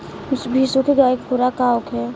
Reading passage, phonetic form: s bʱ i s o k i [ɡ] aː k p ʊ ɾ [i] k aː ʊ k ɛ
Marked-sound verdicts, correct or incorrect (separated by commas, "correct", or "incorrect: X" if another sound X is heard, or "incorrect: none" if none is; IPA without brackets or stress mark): correct, incorrect: a